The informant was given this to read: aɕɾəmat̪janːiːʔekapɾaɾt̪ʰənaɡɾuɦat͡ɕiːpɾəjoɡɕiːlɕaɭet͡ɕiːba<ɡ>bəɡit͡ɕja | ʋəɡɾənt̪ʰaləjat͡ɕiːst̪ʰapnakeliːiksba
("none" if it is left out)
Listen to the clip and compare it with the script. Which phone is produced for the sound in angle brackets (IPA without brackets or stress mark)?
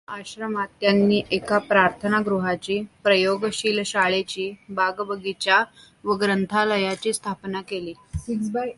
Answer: ɡ